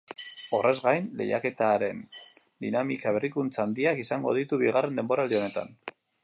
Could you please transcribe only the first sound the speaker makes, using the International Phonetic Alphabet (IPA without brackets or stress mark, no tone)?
o̞